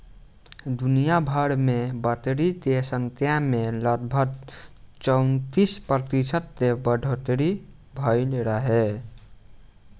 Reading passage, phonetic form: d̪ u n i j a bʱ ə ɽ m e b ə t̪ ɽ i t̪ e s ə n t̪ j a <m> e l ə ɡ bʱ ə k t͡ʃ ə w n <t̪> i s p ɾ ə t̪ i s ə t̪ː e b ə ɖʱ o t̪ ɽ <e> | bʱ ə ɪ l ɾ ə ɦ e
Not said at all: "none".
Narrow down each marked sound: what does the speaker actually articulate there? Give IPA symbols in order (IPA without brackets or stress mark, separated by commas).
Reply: m, t̪, i